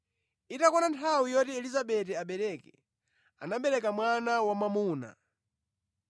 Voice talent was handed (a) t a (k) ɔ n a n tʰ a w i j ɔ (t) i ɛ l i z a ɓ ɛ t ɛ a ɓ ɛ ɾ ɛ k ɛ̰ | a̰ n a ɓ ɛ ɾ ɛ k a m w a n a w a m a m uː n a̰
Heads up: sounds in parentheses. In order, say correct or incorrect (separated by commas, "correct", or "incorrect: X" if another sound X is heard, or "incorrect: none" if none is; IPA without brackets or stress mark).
incorrect: i, correct, correct